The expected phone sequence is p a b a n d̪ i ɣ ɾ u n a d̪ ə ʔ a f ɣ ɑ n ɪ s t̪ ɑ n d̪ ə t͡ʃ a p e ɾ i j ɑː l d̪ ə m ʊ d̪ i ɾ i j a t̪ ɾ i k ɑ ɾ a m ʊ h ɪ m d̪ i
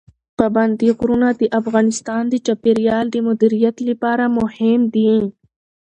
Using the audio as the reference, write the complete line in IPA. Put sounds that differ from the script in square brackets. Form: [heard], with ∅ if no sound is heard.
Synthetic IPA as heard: p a b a n d̪ i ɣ ɾ u n a d̪ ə ʔ a f ɣ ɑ n ɪ s t̪ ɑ n d̪ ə t͡ʃ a p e ɾ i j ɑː l d̪ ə m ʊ d̪ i ɾ i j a t̪ [l] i [p] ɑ ɾ a m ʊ h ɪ m d̪ i